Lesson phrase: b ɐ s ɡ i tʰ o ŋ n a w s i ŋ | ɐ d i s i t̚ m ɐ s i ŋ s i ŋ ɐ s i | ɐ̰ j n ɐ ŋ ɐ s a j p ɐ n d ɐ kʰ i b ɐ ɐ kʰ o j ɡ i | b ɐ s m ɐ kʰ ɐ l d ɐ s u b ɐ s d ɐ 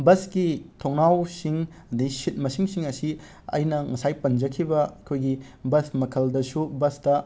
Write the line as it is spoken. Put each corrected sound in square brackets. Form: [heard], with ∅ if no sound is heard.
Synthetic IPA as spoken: b ɐ s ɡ i tʰ o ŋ n a w s i ŋ | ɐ d i s i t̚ m ɐ s i ŋ s i ŋ ɐ s i | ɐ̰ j n ɐ ŋ ɐ s a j p ɐ n [d͡ʒ] ɐ kʰ i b ɐ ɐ kʰ o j ɡ i | b ɐ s m ɐ kʰ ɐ l d ɐ s u b ɐ s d ɐ